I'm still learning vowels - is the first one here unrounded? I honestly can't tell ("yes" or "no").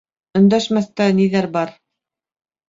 no